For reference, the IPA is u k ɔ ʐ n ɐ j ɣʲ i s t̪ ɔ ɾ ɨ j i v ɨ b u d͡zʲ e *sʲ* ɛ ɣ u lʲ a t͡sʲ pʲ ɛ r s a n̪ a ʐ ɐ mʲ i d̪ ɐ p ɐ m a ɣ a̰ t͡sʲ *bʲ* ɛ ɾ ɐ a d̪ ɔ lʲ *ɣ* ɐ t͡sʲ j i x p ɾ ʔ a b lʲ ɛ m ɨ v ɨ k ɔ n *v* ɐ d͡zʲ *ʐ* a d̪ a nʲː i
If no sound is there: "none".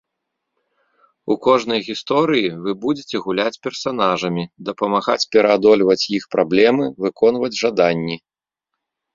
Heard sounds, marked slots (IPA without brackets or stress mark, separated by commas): t͡sʲ, pʲ, v, v, ʐ